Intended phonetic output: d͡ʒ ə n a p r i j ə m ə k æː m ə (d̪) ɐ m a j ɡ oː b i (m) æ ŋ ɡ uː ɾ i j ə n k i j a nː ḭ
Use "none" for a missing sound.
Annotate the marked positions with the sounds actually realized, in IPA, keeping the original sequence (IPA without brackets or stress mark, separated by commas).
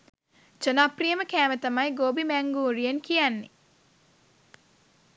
t̪, m